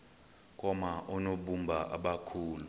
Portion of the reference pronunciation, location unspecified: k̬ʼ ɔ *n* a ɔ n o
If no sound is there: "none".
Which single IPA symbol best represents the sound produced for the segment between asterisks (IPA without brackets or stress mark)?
m